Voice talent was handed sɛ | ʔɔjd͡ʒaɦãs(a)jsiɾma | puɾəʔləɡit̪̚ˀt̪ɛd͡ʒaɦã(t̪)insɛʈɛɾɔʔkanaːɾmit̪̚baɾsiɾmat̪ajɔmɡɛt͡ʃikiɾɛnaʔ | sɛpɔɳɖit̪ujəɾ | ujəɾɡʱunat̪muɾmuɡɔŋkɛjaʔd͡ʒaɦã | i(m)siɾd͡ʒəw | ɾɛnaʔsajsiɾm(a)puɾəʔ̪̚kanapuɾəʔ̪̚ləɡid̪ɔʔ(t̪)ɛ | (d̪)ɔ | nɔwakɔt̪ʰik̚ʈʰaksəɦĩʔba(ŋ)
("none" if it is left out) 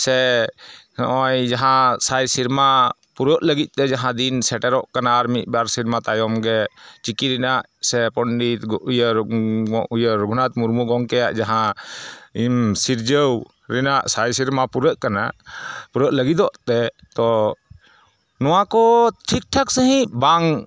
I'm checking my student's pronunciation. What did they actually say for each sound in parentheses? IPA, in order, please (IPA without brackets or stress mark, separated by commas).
a, d̪, m, a, t̪, t̪, ŋ